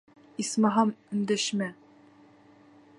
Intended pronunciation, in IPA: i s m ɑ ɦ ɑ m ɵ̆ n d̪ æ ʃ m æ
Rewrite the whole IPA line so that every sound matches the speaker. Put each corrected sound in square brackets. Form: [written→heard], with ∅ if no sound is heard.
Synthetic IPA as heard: i s m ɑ ɦ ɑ m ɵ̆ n d̪ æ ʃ m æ